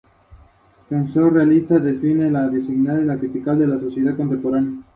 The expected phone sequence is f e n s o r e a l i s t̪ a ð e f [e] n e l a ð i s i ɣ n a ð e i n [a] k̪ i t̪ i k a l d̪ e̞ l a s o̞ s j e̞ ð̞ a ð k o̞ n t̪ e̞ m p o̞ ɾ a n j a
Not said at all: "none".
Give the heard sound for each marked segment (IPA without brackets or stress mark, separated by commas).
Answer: i, a